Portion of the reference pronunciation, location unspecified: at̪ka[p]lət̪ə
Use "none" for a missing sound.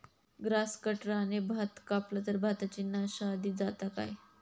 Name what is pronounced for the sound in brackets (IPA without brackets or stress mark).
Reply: p